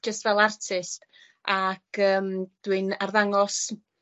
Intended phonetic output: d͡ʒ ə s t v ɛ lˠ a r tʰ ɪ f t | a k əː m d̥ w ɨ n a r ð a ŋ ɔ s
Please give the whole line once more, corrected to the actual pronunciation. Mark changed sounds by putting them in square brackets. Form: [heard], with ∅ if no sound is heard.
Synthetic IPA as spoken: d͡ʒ ə s t v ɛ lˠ a r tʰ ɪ [s] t | a k əː m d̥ w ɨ n a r ð a ŋ ɔ s